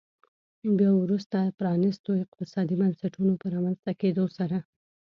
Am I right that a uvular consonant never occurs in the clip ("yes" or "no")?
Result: no